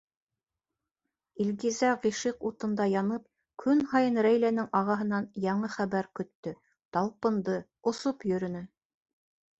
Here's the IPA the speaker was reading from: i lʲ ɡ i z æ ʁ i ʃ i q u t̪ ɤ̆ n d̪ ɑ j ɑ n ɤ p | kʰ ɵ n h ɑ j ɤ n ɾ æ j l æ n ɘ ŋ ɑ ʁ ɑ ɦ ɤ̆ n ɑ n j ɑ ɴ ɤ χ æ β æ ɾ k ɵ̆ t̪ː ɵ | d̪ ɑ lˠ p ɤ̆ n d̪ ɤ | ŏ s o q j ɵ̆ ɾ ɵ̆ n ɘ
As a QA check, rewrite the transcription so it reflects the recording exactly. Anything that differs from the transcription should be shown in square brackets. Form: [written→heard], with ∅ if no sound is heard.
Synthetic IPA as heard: i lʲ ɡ i z æ ʁ i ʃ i q u t̪ ɤ̆ n d̪ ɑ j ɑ n ɤ p | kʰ ɵ n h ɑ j ɤ n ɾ æ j l æ n ɘ ŋ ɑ ʁ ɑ ɦ ɤ̆ n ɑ n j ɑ ɴ ɤ χ æ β æ ɾ k ɵ̆ t̪ː ɵ | [d̪→t̪] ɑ lˠ p ɤ̆ n d̪ ɤ | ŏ s o [q→p] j ɵ̆ ɾ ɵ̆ n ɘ

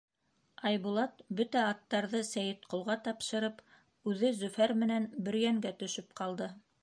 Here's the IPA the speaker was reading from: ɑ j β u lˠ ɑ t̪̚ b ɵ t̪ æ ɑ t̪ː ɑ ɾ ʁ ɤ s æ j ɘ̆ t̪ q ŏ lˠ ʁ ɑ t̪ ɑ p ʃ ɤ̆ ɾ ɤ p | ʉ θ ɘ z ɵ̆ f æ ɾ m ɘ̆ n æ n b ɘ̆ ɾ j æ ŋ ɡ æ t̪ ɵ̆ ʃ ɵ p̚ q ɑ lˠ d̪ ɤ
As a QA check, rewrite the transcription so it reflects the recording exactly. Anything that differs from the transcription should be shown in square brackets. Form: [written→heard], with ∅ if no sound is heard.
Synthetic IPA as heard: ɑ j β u lˠ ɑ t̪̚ b ɵ t̪ æ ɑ t̪ː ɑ ɾ [ʁ→ð] ɤ s æ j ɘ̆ t̪ q ŏ lˠ ʁ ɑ t̪ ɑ p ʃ ɤ̆ ɾ ɤ p | ʉ [θ→ð] ɘ z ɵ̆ f æ ɾ m ɘ̆ n æ n b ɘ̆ ɾ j æ ŋ ɡ æ t̪ ɵ̆ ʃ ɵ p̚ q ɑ lˠ d̪ ɤ

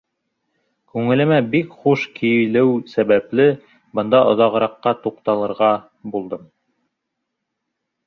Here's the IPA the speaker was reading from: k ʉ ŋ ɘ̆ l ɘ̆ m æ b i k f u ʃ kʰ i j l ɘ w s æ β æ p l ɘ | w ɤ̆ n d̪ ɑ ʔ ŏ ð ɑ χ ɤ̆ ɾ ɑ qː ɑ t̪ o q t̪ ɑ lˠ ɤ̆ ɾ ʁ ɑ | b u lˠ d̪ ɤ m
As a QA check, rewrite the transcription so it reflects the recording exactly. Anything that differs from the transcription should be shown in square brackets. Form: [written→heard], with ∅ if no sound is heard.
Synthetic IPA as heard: k ʉ ŋ ɘ̆ l ɘ̆ m æ b i k [f→χ] u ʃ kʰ i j l ɘ w s æ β æ p l ɘ | [w→b] ɤ̆ n d̪ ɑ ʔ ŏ ð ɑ [χ→ʁ] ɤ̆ ɾ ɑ qː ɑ t̪ [o→u] q t̪ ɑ lˠ ɤ̆ ɾ ʁ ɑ | b u lˠ d̪ ɤ m

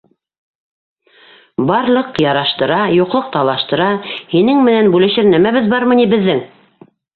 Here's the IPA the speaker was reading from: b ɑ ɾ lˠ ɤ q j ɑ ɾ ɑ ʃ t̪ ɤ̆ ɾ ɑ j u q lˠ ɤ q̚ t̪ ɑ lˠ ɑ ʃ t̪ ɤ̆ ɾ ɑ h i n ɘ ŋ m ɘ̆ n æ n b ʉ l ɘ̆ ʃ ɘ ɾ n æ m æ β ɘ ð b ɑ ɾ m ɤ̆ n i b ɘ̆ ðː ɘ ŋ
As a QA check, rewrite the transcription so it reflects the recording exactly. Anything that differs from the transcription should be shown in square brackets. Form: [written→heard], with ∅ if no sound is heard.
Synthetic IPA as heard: b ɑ ɾ lˠ ɤ q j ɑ ɾ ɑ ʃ t̪ ɤ̆ ɾ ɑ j u q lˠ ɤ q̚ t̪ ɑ lˠ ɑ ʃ t̪ ɤ̆ ɾ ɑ h i n ɘ ŋ m ɘ̆ n æ n b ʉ l ɘ̆ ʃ ɘ ɾ n æ m æ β ɘ ð b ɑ ɾ m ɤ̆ n i b ɘ̆ ðː ɘ ŋ

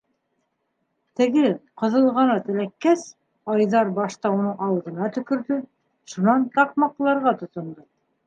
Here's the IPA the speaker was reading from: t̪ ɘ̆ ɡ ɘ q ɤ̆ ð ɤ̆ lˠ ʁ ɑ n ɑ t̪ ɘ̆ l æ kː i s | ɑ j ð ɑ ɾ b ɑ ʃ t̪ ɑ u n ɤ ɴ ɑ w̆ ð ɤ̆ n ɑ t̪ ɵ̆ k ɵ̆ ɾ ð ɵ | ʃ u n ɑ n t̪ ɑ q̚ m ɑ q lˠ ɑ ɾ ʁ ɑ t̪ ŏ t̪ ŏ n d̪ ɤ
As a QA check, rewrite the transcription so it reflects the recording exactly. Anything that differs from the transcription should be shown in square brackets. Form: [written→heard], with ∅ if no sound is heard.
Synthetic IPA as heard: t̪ ɘ̆ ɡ ɘ q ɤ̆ ð ɤ̆ lˠ ʁ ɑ n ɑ t̪ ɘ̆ l æ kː [i→æ] s | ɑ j ð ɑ ɾ b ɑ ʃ t̪ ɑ u n ɤ ɴ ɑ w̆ ð ɤ̆ n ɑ t̪ ɵ̆ k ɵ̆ ɾ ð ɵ | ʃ u n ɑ n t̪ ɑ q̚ m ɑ q lˠ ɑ ɾ ʁ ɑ t̪ ŏ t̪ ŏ n d̪ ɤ

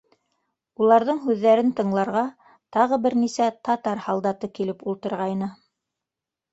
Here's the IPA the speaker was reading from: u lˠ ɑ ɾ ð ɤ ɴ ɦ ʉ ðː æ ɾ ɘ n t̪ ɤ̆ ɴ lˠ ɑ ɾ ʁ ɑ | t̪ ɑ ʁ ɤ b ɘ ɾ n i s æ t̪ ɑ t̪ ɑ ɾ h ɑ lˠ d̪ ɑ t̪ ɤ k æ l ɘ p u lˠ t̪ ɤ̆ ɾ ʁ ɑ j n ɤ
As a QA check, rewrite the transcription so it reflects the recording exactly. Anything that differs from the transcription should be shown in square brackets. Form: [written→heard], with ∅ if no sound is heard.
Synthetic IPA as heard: u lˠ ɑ ɾ ð ɤ ɴ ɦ ʉ ðː æ ɾ ɘ n t̪ ɤ̆ ɴ lˠ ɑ ɾ ʁ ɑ | t̪ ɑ ʁ ɤ b ɘ ɾ n i s æ t̪ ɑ t̪ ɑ ɾ h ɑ lˠ d̪ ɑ t̪ ɤ k [æ→i] l ɘ p u lˠ t̪ ɤ̆ ɾ ʁ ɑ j n ɤ

